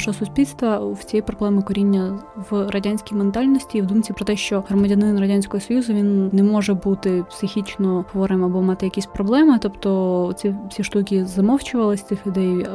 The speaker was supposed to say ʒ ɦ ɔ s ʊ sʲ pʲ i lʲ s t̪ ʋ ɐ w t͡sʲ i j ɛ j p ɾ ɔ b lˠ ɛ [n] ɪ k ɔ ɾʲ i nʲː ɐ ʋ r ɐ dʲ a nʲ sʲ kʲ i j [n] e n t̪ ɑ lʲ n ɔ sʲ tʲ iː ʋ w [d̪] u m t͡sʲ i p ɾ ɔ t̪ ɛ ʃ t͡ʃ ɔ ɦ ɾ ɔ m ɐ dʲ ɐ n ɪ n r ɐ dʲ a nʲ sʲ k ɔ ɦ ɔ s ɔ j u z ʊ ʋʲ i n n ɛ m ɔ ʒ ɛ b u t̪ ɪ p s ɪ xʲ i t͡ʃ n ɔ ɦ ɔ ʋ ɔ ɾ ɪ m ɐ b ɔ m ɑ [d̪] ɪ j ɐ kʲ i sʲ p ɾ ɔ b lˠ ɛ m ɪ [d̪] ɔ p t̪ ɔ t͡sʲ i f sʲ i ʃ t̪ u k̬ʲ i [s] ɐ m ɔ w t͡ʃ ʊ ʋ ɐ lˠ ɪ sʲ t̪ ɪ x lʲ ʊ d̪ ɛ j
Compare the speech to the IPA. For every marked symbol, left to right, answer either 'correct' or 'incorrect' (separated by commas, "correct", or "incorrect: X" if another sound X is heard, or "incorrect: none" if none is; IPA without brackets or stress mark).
incorrect: m, incorrect: m, correct, incorrect: t̪, incorrect: t̪, incorrect: z